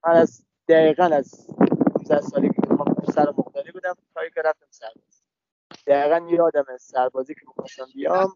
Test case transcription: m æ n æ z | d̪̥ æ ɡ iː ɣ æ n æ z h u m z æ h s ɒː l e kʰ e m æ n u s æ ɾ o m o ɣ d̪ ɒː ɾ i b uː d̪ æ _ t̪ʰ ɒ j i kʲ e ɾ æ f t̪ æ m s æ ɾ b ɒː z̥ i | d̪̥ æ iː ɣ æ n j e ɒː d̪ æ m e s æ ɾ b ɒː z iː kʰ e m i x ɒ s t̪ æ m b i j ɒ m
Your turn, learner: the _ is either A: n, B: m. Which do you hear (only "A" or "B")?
B